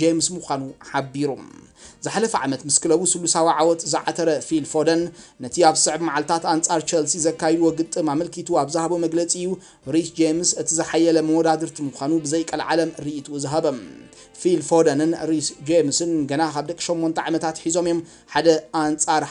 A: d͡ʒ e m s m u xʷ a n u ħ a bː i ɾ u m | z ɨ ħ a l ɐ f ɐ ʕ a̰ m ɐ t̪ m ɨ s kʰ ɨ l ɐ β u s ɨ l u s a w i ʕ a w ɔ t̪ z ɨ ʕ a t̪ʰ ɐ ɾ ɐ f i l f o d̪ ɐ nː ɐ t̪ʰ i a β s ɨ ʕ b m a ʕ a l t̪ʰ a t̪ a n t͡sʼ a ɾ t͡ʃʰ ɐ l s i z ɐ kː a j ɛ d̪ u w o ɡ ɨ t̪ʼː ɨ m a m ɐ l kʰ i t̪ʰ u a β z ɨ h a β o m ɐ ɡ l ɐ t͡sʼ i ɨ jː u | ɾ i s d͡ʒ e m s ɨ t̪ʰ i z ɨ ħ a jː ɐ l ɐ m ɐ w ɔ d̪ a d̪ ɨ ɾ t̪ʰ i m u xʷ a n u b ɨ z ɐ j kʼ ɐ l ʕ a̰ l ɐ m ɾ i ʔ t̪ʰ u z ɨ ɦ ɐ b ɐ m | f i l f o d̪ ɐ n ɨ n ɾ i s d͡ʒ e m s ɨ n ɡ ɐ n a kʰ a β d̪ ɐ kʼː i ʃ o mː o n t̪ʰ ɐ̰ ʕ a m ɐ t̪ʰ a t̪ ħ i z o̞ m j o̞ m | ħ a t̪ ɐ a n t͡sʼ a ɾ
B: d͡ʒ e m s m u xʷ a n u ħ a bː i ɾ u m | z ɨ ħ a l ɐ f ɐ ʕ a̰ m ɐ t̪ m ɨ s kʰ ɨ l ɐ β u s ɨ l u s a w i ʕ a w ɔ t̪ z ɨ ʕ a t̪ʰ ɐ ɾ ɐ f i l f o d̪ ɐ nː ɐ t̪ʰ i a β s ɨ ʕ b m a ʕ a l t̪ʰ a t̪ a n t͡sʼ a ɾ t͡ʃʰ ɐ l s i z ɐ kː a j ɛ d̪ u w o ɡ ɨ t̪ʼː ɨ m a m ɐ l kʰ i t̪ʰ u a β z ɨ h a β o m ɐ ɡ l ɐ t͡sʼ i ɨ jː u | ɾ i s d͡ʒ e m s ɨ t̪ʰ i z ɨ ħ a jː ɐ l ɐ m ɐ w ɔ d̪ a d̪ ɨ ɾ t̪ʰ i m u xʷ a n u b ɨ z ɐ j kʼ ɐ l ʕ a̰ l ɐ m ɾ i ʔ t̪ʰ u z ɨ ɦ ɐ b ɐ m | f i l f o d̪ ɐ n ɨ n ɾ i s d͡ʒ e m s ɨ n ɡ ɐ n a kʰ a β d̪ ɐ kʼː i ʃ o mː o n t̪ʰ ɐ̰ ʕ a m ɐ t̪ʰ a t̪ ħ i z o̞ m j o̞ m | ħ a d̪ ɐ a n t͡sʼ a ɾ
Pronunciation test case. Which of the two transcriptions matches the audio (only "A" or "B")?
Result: B